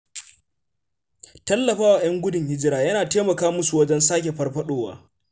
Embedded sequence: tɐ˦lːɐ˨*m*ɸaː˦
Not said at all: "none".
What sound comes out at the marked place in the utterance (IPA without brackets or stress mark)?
none